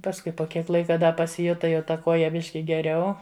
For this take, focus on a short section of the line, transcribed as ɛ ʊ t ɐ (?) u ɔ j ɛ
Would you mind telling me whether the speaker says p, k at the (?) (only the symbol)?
k